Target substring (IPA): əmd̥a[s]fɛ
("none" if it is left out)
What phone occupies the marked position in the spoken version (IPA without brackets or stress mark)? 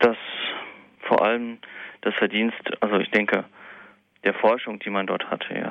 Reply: s